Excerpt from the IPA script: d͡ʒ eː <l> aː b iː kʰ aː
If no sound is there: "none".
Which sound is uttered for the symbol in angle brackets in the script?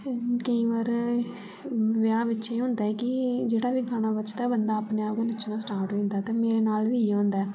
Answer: ɽ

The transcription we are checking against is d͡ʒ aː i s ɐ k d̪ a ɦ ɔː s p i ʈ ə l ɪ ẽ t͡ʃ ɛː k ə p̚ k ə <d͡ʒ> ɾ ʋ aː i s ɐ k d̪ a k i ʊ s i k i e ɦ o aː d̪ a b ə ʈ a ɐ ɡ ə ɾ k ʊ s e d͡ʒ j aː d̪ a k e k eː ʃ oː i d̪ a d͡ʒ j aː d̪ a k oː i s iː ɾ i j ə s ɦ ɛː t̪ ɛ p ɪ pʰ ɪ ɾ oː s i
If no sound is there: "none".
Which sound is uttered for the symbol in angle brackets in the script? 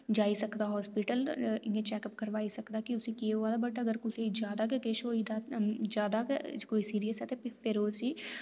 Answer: none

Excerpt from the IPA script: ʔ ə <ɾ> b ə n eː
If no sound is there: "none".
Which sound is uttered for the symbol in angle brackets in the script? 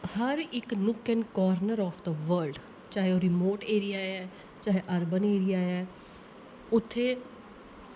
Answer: ɾ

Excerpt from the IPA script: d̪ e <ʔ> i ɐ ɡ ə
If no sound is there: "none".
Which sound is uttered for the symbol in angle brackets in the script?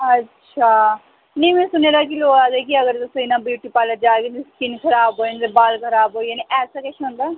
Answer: k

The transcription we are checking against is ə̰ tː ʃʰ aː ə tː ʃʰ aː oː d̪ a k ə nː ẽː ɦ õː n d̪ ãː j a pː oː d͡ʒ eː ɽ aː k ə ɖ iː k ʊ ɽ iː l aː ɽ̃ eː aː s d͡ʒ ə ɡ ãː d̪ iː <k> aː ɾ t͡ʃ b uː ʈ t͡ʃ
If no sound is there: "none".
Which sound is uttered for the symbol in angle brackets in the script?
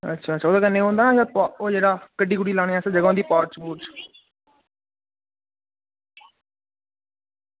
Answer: p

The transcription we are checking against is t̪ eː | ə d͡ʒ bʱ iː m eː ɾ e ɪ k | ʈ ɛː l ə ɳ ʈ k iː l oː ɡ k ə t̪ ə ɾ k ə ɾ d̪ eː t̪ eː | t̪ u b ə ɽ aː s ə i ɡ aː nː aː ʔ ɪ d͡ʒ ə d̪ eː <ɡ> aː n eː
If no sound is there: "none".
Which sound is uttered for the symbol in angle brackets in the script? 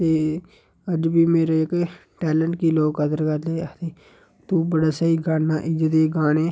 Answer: ɡ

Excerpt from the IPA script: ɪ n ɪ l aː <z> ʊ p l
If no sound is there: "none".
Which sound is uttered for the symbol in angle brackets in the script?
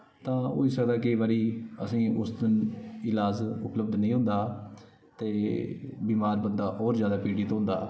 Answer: z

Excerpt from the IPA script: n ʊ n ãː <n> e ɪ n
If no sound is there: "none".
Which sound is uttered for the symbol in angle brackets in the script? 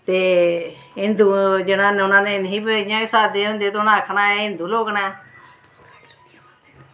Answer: n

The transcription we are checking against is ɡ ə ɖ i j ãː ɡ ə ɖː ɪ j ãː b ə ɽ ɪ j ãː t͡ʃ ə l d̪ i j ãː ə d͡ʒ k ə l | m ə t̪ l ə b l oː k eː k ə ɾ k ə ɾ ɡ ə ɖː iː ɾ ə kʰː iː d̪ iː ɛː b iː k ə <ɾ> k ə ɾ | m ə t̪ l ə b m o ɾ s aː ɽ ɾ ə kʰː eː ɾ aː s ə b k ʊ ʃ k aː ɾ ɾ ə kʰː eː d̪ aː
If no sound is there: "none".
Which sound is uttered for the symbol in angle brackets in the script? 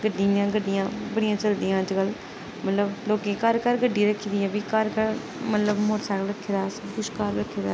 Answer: ɾ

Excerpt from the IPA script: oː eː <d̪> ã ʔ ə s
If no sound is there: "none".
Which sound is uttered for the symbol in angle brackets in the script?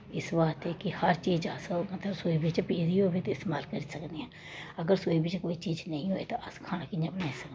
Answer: t̪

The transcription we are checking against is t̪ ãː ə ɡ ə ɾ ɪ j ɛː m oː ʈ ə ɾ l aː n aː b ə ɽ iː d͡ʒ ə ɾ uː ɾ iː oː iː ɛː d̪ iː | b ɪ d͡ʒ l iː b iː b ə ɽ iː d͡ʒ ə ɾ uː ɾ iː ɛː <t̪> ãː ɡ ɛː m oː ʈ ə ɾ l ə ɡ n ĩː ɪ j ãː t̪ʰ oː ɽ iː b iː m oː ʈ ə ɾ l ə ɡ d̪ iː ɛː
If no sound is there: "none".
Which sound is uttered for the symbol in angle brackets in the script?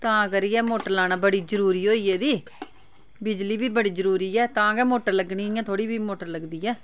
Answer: t̪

